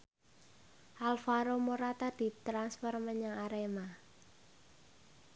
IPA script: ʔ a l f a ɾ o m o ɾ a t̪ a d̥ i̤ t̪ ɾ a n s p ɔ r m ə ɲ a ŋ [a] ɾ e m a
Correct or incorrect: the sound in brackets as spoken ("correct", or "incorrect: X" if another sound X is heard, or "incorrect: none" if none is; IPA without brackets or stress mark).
correct